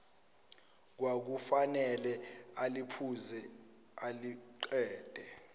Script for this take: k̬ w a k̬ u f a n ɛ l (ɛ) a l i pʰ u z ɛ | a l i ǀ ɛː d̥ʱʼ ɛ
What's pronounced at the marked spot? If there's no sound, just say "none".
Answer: ɛ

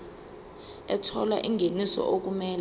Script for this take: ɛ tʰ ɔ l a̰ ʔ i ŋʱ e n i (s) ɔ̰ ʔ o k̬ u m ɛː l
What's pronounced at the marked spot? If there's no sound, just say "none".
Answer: s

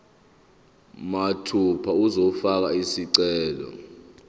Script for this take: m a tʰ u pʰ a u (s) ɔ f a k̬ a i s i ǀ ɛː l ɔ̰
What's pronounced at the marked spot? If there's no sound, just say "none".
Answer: z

